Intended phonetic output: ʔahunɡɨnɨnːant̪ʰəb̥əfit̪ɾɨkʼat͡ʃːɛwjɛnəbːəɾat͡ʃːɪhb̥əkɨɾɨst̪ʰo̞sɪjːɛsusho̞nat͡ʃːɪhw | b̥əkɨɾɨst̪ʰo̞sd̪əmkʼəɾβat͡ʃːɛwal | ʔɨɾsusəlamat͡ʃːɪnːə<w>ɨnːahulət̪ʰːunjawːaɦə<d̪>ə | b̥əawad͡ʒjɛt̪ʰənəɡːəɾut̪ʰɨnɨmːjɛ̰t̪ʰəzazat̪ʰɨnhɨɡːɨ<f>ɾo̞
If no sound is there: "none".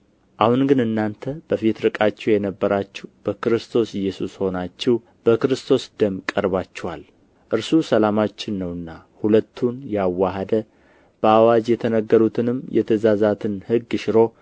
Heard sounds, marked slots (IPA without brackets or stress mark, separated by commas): w, d̪, ʃ